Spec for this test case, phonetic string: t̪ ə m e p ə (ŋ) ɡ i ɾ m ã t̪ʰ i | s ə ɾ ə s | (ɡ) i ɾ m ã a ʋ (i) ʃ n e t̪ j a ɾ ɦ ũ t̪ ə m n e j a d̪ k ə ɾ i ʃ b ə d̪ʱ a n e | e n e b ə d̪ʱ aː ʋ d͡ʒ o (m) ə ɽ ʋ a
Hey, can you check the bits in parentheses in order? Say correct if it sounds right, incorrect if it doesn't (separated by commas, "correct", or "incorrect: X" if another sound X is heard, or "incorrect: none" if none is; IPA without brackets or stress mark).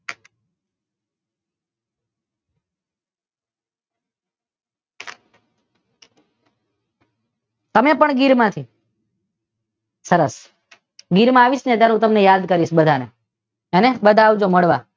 incorrect: ɳ, correct, correct, correct